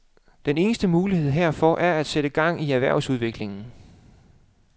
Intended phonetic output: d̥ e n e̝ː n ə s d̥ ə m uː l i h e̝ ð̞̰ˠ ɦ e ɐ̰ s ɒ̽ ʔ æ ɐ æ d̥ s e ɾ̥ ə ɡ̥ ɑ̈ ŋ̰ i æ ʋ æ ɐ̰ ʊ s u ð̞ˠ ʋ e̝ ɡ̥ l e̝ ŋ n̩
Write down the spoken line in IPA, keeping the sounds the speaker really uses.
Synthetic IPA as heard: d̥ e n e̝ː n ə s d̥ ə m uː l i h e̝ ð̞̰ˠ ɦ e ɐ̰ f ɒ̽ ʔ æ ɐ æ d̥ s e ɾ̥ ə ɡ̥ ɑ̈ ŋ̰ i æ ʋ æ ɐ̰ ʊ s u ð̞ˠ ʋ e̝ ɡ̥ l e̝ ŋ n̩